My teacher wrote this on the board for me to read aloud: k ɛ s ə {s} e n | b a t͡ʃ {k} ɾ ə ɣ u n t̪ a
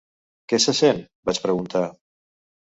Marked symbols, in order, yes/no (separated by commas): yes, no